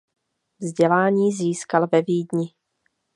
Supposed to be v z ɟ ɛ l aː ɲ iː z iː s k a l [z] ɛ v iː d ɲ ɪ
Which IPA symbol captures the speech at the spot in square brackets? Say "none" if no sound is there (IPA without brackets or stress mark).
v